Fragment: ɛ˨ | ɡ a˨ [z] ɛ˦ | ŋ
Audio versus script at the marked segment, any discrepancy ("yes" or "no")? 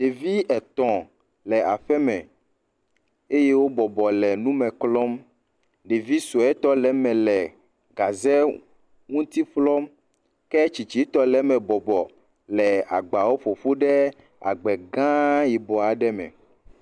no